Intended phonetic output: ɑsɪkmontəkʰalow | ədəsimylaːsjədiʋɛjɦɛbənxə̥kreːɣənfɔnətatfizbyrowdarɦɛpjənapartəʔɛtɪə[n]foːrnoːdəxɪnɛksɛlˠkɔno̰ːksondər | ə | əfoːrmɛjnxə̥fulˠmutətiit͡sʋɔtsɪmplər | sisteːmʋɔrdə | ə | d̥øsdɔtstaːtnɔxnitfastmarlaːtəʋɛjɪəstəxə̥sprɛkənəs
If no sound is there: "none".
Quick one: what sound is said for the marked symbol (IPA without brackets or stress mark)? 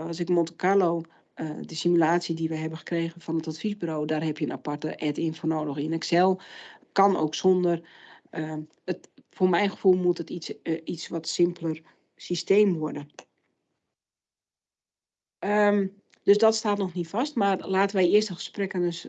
n